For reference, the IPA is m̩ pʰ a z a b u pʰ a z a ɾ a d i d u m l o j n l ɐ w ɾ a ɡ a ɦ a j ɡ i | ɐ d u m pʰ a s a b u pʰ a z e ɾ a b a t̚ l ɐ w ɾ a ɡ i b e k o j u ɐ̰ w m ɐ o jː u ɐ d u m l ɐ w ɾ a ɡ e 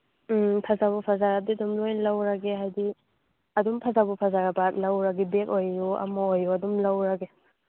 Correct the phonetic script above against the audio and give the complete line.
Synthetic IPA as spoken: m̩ pʰ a z a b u pʰ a z a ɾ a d i d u m l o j n l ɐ w ɾ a ɡ e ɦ a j d i | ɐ d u m pʰ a z a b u pʰ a z a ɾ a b a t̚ l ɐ w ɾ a ɡ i b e k o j u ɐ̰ m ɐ o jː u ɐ d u m l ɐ w ɾ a ɡ e